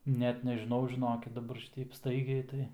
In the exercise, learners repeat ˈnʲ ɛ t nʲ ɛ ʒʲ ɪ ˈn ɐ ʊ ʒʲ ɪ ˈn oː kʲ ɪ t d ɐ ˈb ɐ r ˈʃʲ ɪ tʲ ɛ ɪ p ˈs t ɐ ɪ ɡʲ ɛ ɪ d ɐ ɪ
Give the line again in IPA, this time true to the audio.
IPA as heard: ˈnʲ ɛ t nʲ ɛ ʒʲ ɪ ˈn ɐ ʊ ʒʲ ɪ ˈn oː kʲ ɪ t d ɐ ˈb ɐ r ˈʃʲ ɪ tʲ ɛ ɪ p ˈs t ɐ ɪ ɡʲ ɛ ɪ t ɐ ɪ